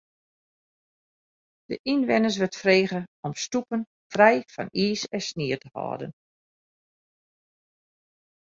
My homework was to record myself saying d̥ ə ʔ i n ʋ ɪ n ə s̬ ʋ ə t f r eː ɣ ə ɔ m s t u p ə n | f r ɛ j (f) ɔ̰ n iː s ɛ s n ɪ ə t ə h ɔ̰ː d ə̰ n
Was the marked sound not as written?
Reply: no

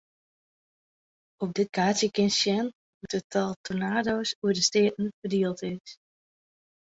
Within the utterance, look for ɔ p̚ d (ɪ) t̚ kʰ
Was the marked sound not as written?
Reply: no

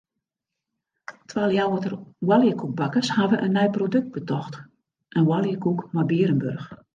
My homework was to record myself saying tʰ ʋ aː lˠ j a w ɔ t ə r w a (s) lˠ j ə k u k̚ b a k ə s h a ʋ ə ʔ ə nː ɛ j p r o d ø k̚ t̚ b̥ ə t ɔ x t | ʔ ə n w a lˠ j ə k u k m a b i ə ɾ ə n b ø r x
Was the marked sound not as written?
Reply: yes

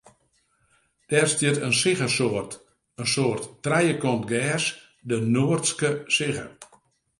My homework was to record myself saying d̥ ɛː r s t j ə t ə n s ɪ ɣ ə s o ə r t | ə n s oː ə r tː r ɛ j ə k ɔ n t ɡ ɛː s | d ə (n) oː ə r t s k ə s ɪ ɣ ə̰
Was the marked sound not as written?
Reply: no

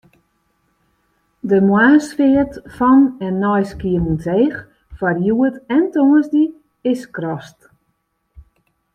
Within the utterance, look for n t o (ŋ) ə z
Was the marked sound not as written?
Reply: no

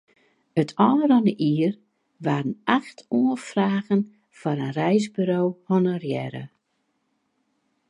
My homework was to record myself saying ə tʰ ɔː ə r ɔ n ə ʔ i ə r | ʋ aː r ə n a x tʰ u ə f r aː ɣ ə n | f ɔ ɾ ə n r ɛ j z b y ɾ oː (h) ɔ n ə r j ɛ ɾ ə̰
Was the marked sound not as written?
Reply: no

